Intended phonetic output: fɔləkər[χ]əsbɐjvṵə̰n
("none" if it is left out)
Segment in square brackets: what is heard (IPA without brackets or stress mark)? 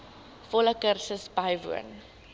s